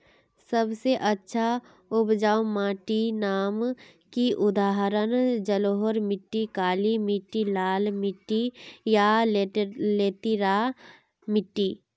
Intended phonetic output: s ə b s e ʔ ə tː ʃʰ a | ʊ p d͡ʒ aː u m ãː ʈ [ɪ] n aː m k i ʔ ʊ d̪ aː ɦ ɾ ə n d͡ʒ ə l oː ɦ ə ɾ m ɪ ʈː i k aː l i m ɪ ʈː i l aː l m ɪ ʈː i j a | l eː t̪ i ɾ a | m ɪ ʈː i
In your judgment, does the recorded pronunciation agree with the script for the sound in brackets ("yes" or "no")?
no